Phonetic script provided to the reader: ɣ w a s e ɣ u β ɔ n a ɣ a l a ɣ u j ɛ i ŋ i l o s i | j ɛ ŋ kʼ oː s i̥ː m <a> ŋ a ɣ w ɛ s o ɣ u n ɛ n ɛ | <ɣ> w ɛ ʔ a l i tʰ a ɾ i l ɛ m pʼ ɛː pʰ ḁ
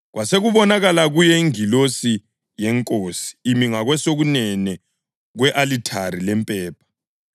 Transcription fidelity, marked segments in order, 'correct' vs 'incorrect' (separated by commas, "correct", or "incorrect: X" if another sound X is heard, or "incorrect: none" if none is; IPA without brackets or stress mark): incorrect: i, correct